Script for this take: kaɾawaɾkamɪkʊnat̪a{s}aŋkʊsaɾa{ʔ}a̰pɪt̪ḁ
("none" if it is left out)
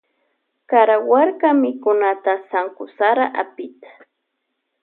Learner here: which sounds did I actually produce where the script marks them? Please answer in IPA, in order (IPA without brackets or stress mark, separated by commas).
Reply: s, ʔ